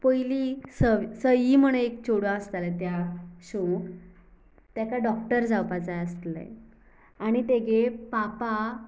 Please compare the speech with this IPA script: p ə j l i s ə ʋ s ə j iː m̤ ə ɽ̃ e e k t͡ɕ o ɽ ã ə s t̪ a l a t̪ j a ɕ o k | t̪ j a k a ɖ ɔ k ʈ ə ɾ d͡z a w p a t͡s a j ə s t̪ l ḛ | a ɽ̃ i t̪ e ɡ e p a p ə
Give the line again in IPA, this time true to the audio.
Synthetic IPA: p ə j l i s ə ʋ s ə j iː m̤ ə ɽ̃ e e k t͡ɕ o ɽ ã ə s t̪ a l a t̪ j a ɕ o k | t̪ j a k a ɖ ɔ k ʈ ə ɾ d͡z a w p a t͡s a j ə s t̪ l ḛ | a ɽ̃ i t̪ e ɡ e p a p a